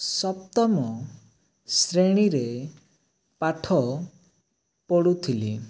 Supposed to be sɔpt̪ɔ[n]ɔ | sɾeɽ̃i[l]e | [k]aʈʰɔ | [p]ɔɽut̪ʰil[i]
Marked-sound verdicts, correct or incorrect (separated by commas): incorrect, incorrect, incorrect, correct, correct